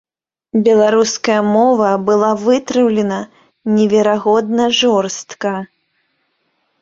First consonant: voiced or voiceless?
voiced